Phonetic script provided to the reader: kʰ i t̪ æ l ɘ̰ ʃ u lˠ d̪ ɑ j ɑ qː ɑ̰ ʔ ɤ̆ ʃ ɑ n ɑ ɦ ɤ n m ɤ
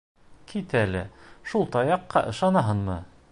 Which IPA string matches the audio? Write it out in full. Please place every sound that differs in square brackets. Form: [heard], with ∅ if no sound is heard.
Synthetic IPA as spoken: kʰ i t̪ æ l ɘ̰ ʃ u lˠ [t̪] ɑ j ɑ qː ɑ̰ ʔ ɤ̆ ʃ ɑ n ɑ ɦ ɤ n m ɤ